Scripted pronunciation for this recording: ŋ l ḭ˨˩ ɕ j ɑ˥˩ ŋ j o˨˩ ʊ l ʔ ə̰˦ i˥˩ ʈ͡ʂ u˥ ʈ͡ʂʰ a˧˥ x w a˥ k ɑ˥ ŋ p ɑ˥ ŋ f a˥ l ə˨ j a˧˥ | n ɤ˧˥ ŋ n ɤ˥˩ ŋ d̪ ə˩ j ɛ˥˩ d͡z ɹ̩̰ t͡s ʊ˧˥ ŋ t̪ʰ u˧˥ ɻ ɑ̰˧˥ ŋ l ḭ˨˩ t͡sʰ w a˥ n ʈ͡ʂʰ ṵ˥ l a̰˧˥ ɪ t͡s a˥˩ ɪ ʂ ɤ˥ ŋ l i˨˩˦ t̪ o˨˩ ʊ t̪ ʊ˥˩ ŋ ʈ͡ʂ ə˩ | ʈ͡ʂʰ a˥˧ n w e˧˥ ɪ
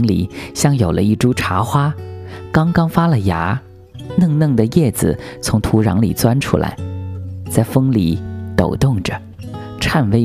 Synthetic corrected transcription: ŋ l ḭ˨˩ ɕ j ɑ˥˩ ŋ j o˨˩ ʊ l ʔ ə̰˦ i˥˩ ʈ͡ʂ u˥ ʈ͡ʂʰ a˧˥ x w a˥ k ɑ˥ ŋ k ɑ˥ ŋ f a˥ l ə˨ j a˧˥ | n ɤ˥˧ ŋ n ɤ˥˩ ŋ d̪ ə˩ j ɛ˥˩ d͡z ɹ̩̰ t͡sʰ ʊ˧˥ ŋ t̪ʰ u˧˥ ɻ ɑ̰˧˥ ŋ l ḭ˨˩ t͡s w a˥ n ʈ͡ʂʰ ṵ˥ l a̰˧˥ ɪ t͡s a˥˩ ɪ f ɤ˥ ŋ l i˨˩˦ t̪ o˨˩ ʊ t̪ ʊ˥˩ ŋ ʈ͡ʂ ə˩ | ʈ͡ʂʰ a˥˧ n w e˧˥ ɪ